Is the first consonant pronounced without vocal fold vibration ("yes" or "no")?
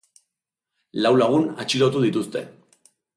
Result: no